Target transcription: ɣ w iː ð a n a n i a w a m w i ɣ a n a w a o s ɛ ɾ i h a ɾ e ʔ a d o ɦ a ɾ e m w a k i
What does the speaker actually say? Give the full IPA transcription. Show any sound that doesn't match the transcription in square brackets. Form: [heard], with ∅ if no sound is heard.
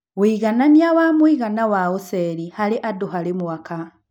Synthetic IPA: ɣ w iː [ɣ] a n a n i a w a m w i ɣ a n a w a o s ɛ ɾ i h a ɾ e ʔ a d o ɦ a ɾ e m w a k [a]